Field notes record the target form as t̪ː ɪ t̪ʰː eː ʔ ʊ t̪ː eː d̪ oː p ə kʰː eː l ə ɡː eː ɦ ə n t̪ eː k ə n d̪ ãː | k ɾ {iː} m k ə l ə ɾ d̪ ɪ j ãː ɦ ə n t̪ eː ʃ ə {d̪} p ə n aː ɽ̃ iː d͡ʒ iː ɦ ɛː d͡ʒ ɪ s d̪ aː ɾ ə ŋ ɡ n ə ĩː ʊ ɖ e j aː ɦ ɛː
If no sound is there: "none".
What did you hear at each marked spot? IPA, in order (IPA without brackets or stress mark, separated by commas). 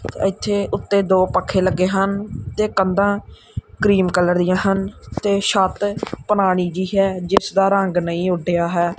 iː, t̪